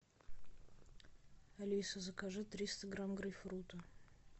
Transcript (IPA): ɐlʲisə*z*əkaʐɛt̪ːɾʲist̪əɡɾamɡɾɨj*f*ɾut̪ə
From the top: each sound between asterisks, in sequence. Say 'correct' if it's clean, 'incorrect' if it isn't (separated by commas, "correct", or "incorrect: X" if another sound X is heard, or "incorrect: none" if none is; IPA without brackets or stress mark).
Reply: correct, correct